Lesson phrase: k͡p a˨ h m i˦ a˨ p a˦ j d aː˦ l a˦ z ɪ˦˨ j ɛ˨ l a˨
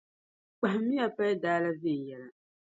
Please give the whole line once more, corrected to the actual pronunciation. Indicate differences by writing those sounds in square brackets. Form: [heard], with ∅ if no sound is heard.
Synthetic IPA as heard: k͡p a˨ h m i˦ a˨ p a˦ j d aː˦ l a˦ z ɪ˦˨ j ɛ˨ l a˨